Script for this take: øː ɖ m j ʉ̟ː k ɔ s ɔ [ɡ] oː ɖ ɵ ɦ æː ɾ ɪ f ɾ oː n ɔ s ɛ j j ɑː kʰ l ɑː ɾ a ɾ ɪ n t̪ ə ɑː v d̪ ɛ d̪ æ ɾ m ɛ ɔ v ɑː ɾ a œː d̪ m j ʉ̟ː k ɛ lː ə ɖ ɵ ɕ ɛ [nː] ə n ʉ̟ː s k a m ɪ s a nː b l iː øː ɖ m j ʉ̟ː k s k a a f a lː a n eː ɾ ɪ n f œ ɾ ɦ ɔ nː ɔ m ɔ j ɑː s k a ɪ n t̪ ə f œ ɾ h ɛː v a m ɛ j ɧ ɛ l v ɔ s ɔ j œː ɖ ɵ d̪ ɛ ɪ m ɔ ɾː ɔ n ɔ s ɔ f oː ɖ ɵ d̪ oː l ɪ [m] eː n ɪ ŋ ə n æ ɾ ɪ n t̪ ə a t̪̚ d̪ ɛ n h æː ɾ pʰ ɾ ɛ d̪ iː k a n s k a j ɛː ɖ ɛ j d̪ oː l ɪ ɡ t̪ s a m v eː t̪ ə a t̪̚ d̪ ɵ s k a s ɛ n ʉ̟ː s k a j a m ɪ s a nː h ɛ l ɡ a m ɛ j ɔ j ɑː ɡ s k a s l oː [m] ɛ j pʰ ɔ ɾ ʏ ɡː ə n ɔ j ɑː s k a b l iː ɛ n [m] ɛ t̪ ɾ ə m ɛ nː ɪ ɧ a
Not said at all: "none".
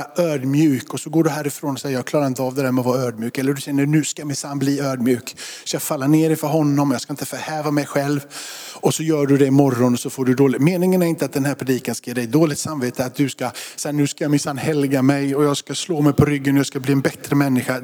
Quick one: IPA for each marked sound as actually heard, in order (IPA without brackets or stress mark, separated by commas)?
ɡ, nː, m, m, b